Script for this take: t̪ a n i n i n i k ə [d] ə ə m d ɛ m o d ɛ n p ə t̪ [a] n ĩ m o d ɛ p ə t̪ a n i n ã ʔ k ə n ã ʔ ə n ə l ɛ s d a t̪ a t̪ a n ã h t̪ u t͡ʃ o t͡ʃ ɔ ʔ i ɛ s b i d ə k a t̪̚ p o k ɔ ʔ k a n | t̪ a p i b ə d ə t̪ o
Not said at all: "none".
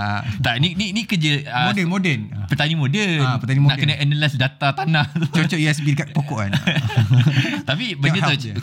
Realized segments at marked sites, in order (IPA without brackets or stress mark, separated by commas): d͡ʒ, a